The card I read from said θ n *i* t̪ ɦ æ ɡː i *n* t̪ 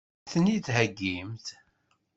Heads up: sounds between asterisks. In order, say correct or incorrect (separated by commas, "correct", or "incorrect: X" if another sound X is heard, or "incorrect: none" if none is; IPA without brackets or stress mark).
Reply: correct, incorrect: m